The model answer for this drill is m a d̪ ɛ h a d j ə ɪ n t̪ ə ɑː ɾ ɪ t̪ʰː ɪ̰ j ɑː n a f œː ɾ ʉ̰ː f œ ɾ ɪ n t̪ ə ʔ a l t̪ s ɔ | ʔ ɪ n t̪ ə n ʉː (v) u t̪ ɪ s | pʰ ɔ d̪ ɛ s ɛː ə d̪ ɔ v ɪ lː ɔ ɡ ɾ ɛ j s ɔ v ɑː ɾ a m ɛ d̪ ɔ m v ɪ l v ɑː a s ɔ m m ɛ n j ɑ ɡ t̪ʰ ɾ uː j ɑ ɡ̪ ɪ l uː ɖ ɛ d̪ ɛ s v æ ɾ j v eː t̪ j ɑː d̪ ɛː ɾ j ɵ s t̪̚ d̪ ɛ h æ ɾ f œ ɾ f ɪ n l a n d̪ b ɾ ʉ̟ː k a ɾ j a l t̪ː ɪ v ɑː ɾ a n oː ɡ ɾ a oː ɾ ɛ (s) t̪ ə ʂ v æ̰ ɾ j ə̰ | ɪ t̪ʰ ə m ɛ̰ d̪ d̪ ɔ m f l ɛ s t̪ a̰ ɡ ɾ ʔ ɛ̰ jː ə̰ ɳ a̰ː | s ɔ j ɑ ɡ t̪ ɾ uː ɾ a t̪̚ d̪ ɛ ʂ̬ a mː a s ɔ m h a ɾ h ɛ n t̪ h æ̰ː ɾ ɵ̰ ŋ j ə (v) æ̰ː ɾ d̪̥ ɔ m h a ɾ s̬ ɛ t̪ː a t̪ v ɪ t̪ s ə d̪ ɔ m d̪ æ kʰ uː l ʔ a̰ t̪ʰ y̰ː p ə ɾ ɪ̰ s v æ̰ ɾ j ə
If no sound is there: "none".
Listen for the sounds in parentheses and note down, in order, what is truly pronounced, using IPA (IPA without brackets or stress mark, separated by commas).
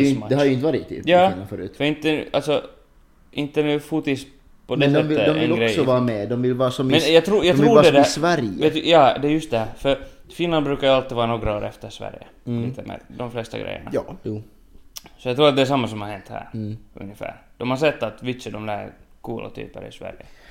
f, f, f